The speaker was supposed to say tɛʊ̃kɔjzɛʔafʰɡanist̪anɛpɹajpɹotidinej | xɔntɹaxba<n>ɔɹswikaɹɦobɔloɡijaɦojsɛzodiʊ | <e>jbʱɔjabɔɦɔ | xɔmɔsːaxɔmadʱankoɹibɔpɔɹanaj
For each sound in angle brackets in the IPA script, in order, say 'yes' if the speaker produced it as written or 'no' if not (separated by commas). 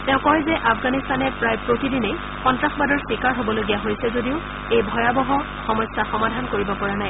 no, yes